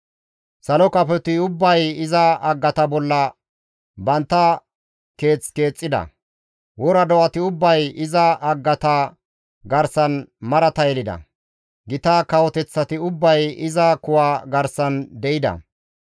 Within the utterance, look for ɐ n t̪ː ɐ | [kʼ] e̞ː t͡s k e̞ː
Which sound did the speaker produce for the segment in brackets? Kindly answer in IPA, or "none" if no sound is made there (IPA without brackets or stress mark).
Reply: k